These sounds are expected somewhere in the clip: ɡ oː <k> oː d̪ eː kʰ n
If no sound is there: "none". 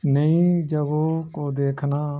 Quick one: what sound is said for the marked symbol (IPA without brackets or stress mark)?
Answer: k